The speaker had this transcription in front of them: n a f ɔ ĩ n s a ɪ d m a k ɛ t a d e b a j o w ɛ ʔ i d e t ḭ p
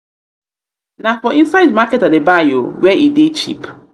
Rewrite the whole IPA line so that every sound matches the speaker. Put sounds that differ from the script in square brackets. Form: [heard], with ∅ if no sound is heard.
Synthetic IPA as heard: n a f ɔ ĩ n s a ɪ d m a k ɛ t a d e b a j o w ɛ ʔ i d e [t͡ʃ] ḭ p